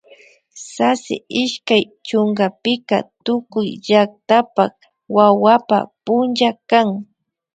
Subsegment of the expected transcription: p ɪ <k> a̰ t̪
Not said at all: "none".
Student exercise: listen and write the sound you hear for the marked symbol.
k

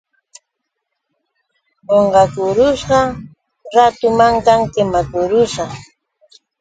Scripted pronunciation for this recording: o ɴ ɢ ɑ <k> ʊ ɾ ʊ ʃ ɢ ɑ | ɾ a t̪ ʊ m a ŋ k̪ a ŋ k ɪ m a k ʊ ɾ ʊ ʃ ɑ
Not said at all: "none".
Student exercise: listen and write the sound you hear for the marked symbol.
k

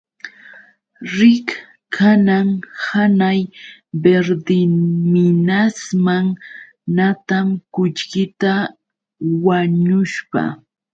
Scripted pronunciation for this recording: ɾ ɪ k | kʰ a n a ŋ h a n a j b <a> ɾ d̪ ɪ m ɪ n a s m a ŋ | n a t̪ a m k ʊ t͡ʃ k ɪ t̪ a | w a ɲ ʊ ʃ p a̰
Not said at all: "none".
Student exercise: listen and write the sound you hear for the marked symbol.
e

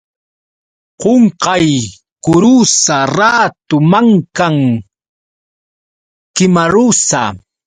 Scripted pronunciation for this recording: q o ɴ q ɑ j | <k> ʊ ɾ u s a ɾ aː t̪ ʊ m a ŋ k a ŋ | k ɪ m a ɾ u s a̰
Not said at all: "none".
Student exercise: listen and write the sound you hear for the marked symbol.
k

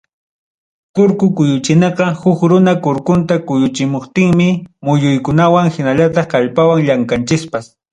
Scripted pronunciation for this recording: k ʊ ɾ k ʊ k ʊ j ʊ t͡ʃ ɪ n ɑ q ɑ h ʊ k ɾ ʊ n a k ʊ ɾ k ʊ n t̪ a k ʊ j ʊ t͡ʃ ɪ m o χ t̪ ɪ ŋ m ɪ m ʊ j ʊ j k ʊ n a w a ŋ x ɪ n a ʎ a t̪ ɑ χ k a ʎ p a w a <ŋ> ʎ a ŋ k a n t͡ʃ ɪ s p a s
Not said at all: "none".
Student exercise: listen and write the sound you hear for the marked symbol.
ŋ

